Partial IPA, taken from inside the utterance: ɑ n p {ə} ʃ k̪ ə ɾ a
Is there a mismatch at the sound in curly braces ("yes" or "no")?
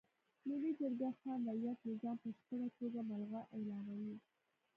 no